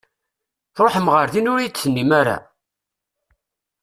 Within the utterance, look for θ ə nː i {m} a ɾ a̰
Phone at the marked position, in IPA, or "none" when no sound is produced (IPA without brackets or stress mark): m